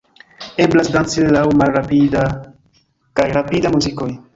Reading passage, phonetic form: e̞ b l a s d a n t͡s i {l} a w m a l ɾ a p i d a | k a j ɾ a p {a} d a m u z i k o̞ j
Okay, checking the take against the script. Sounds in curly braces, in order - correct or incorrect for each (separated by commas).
correct, incorrect